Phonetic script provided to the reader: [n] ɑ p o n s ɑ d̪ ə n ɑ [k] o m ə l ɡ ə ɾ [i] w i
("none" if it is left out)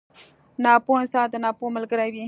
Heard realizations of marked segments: n, p, a

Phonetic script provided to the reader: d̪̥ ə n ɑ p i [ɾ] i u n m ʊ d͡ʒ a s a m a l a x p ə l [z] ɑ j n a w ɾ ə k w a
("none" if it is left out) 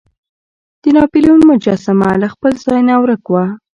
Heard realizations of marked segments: l, z

